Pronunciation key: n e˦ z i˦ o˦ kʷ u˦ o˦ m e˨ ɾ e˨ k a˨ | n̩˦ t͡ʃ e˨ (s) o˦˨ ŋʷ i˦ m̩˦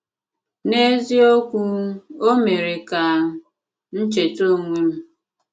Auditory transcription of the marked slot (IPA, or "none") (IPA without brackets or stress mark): t